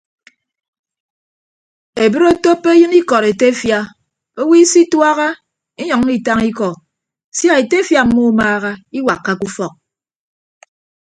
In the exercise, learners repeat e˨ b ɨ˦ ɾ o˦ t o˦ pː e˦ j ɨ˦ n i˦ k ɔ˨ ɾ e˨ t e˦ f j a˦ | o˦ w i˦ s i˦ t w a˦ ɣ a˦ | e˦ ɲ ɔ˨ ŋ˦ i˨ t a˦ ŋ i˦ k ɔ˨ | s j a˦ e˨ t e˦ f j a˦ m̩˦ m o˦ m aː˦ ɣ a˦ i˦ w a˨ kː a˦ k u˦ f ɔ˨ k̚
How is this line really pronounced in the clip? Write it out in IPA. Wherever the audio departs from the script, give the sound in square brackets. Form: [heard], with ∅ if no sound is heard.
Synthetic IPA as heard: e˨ b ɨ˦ ɾ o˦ t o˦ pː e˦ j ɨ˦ n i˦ k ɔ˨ ɾ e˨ t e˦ f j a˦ | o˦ w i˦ s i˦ t w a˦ ɣ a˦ | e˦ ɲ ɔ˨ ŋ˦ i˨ t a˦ ŋ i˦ k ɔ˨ | s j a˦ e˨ t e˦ f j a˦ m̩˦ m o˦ m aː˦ ɣ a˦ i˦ w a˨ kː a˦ k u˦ f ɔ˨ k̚